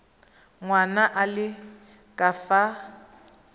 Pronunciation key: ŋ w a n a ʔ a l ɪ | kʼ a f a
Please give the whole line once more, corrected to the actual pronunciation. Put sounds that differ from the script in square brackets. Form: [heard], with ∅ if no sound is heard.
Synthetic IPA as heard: ŋ w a n a ʔ a l ɪ | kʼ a f a